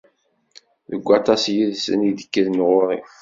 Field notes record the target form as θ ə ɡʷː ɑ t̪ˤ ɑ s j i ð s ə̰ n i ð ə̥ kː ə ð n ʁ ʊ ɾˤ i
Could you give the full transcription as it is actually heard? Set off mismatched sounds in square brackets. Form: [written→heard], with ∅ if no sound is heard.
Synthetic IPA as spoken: [θ→ð] ə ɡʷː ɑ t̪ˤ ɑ s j i ð s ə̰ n i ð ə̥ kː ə ð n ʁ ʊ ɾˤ i